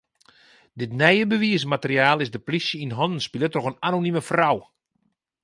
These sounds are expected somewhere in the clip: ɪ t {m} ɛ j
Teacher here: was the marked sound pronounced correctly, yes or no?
no